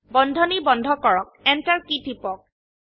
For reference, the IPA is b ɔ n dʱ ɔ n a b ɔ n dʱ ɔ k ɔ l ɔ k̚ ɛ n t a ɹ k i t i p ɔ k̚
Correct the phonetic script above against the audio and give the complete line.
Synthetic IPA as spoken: b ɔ n dʱ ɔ n i b ɔ n dʱ ɔ k ɔ ɹ ɔ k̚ ɛ n t a ɹ k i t i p ɔ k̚